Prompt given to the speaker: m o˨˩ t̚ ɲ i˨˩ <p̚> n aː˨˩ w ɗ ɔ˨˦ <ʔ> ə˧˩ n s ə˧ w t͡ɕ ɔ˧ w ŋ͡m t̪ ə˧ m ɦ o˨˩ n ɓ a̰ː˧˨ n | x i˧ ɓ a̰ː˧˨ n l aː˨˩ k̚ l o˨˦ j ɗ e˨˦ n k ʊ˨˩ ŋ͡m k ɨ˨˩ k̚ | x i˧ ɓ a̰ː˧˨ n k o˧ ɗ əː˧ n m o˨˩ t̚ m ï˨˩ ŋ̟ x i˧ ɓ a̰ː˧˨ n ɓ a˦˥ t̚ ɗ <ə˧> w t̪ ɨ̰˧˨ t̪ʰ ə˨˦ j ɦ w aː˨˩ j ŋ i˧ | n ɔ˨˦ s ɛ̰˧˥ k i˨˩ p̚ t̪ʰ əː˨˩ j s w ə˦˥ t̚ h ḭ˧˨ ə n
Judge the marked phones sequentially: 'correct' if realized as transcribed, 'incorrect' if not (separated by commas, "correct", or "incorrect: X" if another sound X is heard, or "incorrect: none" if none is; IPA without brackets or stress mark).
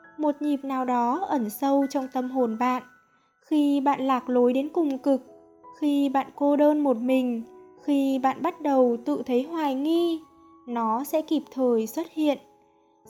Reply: correct, correct, incorrect: ə˨˩